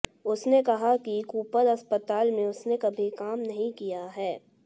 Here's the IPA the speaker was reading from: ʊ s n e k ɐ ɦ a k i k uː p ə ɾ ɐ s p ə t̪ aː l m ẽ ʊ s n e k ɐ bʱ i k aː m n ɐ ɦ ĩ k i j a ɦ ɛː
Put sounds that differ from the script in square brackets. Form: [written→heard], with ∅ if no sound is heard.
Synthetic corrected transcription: ʊ s n e k ɐ ɦ a k i k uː p ə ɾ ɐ s p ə t̪ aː l m ẽ ʊ s n e k ɐ bʱ i k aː m n ɐ ɦ ĩ k i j a ɦ ɛː